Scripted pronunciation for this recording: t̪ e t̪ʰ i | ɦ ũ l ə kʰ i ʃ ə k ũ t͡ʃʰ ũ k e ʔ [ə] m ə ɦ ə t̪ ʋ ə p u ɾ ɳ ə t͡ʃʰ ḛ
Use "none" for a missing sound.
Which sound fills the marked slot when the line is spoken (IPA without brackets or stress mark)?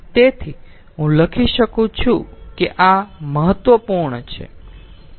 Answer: a